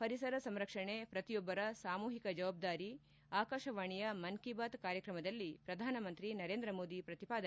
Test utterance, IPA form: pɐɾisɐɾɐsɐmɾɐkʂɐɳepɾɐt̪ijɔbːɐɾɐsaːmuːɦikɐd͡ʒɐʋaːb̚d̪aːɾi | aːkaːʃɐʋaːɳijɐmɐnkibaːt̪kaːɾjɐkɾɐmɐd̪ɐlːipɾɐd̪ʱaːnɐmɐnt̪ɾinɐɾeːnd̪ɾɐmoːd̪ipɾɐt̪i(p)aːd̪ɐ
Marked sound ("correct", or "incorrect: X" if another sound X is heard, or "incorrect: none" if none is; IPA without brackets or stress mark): correct